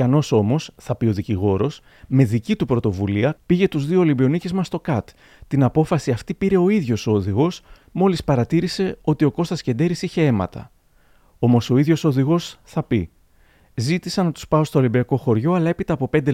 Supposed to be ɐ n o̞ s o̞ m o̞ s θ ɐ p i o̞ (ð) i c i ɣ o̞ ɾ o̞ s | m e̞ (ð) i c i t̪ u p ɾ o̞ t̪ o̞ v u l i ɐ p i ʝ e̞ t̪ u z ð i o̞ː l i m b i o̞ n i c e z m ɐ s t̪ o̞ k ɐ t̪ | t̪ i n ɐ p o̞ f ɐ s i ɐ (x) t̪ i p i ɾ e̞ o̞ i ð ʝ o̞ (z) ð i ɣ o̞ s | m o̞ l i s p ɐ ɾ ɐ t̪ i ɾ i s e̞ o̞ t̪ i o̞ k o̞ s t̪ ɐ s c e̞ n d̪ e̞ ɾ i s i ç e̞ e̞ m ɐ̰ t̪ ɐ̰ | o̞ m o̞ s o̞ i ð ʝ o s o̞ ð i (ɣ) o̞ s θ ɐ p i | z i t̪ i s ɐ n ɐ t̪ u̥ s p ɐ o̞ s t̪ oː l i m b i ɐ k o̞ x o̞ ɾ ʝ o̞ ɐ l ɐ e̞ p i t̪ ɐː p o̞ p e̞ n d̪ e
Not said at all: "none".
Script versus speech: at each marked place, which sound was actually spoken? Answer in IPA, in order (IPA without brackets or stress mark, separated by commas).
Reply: ð, ð, f, s, ɣ